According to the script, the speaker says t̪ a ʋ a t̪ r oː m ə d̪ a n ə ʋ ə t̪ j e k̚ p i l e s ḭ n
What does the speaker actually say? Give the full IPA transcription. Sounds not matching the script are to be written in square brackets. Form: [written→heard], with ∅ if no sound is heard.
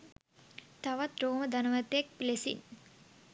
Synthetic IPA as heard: t̪ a ʋ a t̪ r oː m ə d̪ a n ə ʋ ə t̪ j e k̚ p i l e s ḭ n